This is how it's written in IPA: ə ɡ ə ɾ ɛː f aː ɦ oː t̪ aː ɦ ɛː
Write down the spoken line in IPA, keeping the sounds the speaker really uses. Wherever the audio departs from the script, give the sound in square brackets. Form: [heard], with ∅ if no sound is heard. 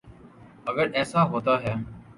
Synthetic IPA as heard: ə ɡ ə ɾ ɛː [s] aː ɦ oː t̪ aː ɦ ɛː

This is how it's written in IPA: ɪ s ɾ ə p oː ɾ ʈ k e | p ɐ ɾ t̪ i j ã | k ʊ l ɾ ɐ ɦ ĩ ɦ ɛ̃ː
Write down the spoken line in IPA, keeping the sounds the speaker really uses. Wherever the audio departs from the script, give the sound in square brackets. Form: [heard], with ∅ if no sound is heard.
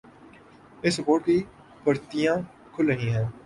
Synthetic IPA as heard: ɪ s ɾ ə p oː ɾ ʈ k [i] | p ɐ ɾ t̪ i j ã | [kʰ] ʊ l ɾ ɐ ɦ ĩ ɦ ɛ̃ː

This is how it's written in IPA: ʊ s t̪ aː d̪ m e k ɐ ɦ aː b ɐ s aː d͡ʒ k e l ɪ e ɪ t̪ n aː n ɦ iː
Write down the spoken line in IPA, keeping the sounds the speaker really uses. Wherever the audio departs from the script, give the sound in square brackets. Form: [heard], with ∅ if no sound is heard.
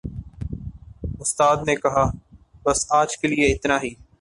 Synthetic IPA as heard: ʊ s t̪ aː d̪ [n] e k ɐ ɦ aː b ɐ s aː d͡ʒ k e l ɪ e ɪ t̪ n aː [∅] ɦ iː

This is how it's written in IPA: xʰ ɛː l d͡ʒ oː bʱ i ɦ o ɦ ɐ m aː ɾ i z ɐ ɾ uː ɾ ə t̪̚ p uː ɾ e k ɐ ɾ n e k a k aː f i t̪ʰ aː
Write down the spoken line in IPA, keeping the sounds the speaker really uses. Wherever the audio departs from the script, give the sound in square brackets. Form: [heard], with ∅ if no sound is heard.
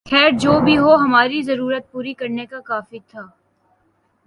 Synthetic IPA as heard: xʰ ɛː [ɾ] d͡ʒ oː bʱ i ɦ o ɦ ɐ m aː ɾ i z ɐ ɾ uː ɾ ə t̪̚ p uː ɾ [i] k ɐ ɾ n e k a k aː f i t̪ʰ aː

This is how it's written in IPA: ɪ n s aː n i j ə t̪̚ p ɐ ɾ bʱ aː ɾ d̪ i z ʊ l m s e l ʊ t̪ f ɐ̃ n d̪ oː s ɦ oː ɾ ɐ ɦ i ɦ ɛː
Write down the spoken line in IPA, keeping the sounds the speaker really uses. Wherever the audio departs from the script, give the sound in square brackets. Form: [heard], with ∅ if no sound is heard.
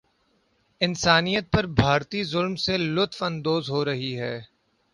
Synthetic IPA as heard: ɪ n s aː n i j ə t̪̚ p ɐ ɾ bʱ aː ɾ [t̪] i z ʊ l m s e l ʊ t̪ f ɐ̃ n d̪ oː [z] ɦ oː ɾ ɐ ɦ i ɦ ɛː

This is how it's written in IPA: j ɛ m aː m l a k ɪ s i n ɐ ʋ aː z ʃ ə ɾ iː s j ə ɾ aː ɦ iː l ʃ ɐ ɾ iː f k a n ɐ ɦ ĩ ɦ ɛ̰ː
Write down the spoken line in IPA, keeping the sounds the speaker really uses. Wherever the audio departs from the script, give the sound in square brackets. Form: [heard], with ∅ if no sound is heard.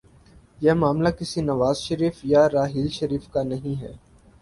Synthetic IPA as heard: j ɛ m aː m l a k ɪ s i n ɐ ʋ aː z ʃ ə ɾ iː [f] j [a] ɾ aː ɦ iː l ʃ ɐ ɾ iː f k a n ɐ ɦ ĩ ɦ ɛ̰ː

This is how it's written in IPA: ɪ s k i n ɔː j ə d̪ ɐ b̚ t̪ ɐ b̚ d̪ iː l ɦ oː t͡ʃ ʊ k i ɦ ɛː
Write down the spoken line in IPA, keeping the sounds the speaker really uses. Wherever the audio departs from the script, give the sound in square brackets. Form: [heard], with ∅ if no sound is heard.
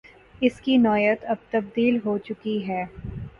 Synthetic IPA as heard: ɪ s k i n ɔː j ə [t̪] ɐ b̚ t̪ ɐ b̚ d̪ iː l ɦ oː t͡ʃ ʊ k i ɦ ɛː

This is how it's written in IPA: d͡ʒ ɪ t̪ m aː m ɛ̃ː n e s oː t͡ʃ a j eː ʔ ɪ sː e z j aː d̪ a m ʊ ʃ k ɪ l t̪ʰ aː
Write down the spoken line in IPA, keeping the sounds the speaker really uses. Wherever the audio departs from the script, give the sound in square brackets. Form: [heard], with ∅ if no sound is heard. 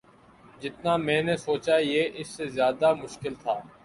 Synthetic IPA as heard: d͡ʒ ɪ t̪ [n] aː m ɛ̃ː n e s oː t͡ʃ a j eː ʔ ɪ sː e z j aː d̪ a m ʊ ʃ k ɪ l t̪ʰ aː

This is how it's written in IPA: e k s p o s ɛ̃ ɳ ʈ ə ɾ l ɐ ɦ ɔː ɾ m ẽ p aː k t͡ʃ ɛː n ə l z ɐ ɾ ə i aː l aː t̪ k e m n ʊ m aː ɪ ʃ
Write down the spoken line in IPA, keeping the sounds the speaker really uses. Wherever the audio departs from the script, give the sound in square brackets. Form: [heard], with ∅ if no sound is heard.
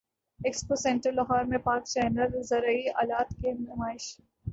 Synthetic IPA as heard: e k s p o s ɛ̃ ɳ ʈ ə ɾ l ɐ ɦ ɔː ɾ m ẽ p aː k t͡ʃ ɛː n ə l z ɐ ɾ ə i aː l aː t̪ k e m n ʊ m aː ɪ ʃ

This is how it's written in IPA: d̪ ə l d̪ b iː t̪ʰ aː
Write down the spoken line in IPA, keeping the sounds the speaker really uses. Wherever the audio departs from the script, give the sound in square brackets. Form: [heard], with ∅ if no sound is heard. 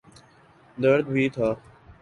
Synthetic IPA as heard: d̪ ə [ɾ] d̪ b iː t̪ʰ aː

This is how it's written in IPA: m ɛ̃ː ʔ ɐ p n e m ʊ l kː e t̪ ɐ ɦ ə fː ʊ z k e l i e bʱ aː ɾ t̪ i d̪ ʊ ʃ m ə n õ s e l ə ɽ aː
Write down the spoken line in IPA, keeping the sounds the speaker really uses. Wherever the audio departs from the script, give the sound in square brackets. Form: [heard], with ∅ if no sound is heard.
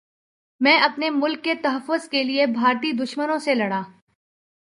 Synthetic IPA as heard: m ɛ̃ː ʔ ɐ p n e m ʊ l kː e t̪ ɐ ɦ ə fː ʊ z k e l i e bʱ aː ɾ t̪ i d̪ ʊ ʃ m ə n õ s e l [ɐ] ɽ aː

